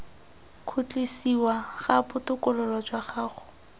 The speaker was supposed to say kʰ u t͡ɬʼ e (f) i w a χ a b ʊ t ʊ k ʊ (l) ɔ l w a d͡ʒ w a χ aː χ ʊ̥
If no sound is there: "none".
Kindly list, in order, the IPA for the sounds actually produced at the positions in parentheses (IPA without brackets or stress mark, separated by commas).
s, l